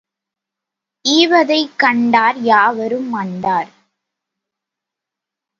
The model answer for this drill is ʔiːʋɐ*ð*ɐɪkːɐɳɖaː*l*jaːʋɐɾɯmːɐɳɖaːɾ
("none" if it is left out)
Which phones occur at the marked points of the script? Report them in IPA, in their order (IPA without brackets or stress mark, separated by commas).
ð, ɾ